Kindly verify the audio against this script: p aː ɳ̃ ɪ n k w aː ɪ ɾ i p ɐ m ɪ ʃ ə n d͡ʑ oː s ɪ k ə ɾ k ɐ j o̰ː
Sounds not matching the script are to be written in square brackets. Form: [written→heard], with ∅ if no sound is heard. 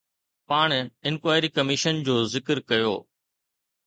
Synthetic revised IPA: p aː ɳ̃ ɪ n k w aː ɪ ɾ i [p→k] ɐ m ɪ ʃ ə n d͡ʑ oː [s→z] ɪ k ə ɾ k ɐ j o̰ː